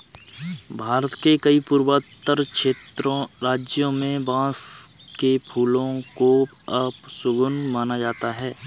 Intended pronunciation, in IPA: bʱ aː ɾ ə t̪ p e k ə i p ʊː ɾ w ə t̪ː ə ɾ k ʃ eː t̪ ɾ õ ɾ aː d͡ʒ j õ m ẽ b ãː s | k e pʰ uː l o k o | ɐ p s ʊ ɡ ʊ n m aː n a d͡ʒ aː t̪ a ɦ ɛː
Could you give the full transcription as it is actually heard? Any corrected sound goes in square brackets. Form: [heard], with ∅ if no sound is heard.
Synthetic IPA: bʱ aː ɾ ə t̪ [k] e k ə i p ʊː ɾ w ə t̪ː ə ɾ k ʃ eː t̪ ɾ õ ɾ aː d͡ʒ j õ m ẽ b ãː s | k e pʰ uː l [õ] k o | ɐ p s ʊ ɡ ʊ n m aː n a d͡ʒ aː t̪ a ɦ ɛː